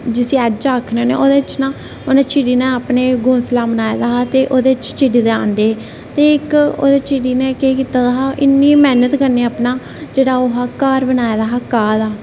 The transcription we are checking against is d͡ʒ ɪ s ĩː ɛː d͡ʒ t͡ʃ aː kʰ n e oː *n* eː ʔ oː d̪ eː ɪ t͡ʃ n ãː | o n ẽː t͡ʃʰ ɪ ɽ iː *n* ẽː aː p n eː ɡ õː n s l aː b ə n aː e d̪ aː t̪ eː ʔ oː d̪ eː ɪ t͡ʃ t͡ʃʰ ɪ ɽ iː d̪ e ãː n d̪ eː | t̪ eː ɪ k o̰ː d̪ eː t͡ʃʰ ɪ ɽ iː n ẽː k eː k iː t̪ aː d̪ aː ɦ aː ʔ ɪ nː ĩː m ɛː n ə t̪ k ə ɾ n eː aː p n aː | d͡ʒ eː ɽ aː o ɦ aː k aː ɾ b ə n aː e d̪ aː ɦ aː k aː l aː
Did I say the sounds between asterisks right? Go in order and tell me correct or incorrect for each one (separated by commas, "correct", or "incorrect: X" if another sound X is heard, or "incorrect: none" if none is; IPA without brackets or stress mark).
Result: correct, correct